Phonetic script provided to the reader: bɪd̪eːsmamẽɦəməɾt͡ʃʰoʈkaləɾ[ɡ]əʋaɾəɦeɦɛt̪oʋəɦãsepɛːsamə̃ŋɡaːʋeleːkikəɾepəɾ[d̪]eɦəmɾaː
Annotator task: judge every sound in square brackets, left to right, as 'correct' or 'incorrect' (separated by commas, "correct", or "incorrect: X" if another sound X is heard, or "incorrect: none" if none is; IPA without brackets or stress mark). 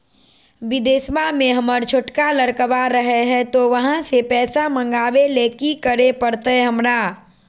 incorrect: k, incorrect: t̪